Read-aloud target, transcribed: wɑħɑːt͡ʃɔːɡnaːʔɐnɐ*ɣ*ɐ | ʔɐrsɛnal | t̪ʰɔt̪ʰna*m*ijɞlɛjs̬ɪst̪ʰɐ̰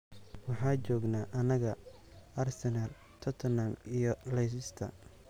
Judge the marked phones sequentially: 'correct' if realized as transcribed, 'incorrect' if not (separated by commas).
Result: correct, correct